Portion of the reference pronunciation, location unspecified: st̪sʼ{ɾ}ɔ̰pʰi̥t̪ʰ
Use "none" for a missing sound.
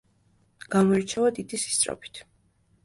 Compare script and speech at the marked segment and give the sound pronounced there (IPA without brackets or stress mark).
ɾ